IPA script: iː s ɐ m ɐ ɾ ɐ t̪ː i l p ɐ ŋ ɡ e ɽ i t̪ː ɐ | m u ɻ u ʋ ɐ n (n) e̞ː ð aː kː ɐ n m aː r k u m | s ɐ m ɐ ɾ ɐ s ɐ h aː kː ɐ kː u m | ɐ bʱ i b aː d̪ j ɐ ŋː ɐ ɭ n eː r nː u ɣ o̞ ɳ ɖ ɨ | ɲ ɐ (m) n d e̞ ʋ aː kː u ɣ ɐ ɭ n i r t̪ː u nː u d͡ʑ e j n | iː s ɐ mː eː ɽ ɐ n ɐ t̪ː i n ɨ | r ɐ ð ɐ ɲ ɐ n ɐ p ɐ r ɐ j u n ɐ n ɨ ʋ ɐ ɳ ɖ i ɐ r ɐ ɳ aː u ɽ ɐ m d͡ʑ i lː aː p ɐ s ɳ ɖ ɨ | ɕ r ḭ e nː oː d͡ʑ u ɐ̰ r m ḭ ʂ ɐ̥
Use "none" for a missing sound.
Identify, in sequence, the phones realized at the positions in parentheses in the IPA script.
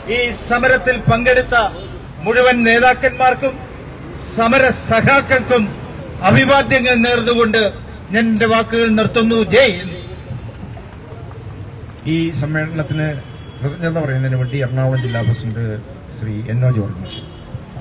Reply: n, n

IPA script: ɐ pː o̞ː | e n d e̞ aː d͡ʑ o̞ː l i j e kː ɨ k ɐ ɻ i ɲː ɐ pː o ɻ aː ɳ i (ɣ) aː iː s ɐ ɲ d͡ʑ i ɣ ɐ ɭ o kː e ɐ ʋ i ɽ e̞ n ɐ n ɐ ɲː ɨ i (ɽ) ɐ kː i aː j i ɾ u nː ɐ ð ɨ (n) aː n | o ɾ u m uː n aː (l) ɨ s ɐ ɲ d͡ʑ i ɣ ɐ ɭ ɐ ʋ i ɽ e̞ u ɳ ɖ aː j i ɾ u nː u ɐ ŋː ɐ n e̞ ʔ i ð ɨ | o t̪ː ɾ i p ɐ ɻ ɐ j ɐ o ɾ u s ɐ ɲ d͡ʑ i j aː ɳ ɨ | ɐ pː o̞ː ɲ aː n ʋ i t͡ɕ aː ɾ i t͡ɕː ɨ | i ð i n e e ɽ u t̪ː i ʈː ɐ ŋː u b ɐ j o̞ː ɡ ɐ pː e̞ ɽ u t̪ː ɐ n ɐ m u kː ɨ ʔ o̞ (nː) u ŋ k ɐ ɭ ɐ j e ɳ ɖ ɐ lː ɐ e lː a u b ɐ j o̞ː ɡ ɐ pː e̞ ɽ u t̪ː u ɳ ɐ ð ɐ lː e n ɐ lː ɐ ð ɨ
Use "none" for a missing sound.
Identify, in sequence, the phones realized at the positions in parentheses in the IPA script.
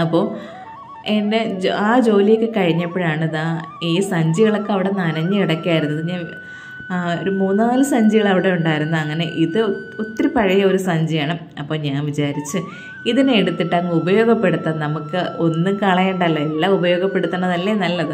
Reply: ð, ɽ, ɲ, l, nː

